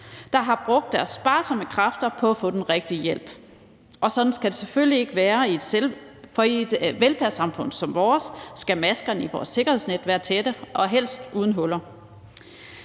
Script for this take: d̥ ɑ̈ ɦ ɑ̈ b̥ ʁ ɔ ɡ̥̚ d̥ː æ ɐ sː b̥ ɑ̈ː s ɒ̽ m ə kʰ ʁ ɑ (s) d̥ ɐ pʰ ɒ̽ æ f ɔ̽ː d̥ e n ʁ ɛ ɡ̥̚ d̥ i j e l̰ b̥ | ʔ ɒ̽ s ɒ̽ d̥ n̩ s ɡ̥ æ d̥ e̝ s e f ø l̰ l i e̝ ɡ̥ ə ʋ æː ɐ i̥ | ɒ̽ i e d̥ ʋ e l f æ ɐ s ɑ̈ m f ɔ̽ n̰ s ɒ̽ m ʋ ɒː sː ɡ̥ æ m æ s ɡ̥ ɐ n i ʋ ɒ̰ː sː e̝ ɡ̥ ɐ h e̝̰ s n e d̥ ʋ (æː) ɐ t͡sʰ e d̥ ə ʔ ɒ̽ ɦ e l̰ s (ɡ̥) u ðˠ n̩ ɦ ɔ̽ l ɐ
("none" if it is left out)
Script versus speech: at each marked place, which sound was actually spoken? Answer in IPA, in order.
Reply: f, æː, d̥

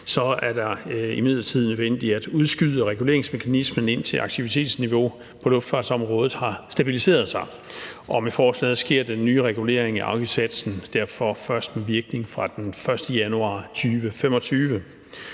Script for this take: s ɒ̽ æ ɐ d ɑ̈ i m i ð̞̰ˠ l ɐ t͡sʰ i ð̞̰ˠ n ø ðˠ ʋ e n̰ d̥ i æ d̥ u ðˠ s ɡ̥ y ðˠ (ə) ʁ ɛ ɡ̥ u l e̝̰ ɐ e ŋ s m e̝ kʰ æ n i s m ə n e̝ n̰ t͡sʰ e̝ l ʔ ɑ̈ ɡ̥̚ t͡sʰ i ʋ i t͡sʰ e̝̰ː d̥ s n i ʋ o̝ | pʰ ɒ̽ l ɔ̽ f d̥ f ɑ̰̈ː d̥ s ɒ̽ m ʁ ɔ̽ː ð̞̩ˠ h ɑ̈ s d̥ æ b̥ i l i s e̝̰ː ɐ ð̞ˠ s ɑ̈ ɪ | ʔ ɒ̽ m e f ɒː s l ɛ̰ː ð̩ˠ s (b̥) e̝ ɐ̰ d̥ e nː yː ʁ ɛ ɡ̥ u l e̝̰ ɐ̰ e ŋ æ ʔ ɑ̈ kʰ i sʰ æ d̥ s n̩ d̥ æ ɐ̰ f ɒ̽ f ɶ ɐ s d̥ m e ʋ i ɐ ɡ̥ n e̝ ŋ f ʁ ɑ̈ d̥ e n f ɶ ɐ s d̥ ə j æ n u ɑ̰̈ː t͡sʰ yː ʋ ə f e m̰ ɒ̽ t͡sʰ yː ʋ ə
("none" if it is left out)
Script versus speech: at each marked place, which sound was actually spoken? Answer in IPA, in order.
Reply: ə, ɡ̥

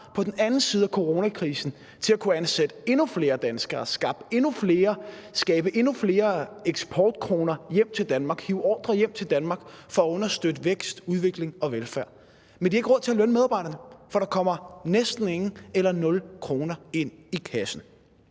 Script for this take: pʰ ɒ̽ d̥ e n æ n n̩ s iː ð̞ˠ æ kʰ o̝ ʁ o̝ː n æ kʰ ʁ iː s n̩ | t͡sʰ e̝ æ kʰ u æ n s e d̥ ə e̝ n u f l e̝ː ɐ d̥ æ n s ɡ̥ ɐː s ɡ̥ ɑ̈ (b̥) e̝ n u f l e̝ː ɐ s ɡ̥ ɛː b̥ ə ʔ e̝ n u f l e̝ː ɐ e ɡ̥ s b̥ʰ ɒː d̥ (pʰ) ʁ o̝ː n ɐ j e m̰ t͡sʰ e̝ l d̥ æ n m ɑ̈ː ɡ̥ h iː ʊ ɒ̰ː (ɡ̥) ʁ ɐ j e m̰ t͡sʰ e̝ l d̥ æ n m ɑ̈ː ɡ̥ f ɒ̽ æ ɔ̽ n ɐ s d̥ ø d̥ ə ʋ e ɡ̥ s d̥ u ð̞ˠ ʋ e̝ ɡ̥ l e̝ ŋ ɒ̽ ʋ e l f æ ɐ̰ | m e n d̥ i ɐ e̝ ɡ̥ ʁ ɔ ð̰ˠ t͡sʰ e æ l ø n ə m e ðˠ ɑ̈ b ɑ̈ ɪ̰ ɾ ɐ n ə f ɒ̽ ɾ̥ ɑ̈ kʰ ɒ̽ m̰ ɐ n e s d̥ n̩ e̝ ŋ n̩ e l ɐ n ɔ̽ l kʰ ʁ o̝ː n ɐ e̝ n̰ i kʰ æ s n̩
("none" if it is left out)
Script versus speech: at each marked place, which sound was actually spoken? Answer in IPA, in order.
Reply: b̥, kʰ, d̥

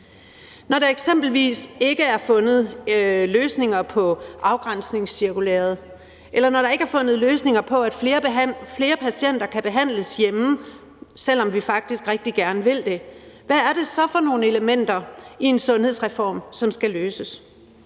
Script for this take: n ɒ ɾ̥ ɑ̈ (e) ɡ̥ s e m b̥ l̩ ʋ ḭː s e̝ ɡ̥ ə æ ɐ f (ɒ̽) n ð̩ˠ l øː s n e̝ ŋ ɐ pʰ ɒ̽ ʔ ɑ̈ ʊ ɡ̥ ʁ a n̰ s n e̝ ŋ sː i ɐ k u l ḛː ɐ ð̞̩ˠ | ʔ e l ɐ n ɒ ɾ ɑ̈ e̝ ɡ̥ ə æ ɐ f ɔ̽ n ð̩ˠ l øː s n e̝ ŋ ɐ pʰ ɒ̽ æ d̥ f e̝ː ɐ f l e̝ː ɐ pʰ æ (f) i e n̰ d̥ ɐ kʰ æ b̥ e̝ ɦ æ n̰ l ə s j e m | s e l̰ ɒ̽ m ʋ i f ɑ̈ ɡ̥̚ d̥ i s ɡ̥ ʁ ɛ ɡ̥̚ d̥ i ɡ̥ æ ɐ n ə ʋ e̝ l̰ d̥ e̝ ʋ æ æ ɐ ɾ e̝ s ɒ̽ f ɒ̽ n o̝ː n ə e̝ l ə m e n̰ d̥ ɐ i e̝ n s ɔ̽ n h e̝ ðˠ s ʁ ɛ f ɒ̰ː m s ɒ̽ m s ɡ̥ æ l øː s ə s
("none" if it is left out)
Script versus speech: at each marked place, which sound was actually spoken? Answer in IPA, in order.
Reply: e, ɔ̽, s

